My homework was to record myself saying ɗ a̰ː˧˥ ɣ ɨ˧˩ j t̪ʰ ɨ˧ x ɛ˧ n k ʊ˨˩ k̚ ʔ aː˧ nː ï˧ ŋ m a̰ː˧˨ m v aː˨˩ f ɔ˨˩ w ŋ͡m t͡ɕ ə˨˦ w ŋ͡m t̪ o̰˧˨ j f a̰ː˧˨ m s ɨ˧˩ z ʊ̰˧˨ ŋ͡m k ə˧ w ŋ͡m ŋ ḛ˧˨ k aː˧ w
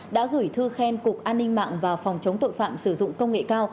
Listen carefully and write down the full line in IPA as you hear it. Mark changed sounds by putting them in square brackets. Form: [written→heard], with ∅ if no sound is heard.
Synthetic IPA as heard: ɗ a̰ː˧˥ ɣ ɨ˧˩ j t̪ʰ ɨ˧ x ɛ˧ n k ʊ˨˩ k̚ ʔ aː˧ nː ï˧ ŋ m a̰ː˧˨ [m→ŋ] v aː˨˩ f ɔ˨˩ w ŋ͡m t͡ɕ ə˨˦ w ŋ͡m t̪ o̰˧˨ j f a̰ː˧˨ m s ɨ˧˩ z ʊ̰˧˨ ŋ͡m k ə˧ w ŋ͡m ŋ ḛ˧˨ k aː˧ w